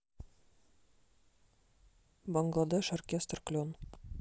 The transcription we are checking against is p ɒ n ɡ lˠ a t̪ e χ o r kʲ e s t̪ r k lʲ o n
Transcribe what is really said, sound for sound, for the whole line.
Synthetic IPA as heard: b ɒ ŋ ɡ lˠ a d̪ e ʃ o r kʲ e s t̪ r k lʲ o n